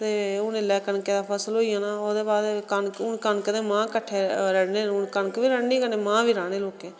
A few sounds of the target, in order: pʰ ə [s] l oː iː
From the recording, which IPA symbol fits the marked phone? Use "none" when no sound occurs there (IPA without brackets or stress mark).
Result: s